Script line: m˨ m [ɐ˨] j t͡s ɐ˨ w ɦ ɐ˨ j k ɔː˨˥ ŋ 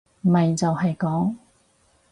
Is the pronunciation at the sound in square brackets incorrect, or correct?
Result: correct